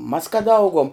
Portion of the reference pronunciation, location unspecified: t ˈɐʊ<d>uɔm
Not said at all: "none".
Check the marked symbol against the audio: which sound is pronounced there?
ɡ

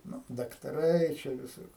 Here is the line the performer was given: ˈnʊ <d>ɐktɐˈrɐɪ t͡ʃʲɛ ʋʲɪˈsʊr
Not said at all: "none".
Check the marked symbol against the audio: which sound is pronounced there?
d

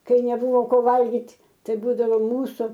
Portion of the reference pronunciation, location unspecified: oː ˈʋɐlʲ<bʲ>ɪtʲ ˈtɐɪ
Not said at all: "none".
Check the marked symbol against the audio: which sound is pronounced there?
ɡʲ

